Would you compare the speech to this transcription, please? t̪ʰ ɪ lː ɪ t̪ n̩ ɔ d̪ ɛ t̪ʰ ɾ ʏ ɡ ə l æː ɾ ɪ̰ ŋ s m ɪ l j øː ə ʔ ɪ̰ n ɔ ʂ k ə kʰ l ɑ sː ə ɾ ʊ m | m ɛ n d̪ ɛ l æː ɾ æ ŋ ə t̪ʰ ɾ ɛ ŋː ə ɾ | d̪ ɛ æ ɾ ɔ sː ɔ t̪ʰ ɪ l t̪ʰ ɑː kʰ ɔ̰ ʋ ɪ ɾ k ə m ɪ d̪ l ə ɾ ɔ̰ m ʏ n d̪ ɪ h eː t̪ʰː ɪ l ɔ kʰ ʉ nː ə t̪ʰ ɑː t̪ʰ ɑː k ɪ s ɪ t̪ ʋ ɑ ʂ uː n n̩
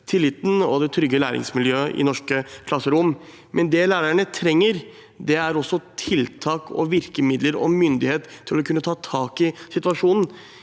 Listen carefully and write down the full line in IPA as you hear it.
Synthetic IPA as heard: t̪ʰ ɪ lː ɪ t̪ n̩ ɔ d̪ ɛ t̪ʰ ɾ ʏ ɡ ə l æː ɾ ɪ̰ ŋ s m ɪ l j øː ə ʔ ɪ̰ n ɔ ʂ k ə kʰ l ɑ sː ə ɾ ʊ m | m ɛ n d̪ ɛ l æː ɾ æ ɳ ə t̪ʰ ɾ ɛ ŋː ə ɾ | d̪ ɛ æ ɾ ɔ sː ɔ t̪ʰ ɪ l t̪ʰ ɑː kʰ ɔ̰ ʋ ɪ ɾ k ə m ɪ d̪ l ə ɾ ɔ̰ m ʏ n d̪ ɪ h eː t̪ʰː ɪ l ɔ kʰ ʉ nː ə t̪ʰ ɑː t̪ʰ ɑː k ɪ s ɪ t̪ ʋ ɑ ʂ uː n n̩